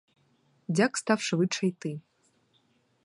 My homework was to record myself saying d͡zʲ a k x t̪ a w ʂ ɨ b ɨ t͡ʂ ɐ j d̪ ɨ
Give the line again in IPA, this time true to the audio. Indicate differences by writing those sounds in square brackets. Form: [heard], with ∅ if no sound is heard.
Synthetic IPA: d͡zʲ a k [s] t̪ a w ʂ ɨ [v] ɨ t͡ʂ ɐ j [t̪] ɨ